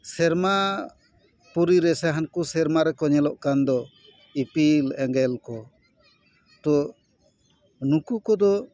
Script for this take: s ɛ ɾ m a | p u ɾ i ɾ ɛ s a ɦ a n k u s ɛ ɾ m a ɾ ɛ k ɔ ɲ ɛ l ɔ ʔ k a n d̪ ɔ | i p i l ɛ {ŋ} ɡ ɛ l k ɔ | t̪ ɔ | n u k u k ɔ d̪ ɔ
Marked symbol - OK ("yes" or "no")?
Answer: yes